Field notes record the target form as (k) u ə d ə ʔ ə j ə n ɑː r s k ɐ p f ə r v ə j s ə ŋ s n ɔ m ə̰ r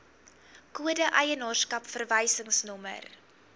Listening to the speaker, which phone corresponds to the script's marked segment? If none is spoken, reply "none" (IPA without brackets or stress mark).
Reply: k